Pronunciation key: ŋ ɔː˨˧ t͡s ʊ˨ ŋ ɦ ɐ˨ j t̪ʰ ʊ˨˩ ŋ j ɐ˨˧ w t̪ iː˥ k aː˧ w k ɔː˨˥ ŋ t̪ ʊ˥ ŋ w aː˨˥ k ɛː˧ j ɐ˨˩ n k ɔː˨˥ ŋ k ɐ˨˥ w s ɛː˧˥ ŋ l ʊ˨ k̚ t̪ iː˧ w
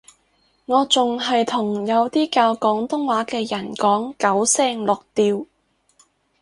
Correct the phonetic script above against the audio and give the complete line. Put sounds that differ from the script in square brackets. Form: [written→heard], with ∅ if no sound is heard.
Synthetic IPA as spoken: ŋ ɔː˨˧ t͡s ʊ˨ ŋ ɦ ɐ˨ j t̪ʰ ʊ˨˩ ŋ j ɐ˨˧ w t̪ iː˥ k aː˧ w k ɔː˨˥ ŋ t̪ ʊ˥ ŋ w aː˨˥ k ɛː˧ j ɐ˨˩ n k ɔː˨˥ ŋ k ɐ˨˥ w s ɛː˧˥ ŋ l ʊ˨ k̚ t̪ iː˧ w